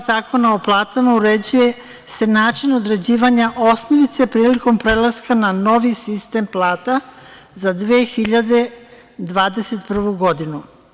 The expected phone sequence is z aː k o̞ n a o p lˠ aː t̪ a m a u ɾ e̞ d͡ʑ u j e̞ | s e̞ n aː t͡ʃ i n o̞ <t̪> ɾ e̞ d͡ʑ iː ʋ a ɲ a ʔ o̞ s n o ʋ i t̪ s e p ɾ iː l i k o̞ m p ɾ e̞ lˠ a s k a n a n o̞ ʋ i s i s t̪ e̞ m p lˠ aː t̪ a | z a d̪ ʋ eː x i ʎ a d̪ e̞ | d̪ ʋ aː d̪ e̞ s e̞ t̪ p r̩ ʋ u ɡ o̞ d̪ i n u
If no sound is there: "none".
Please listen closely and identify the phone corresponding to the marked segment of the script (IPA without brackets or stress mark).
d̪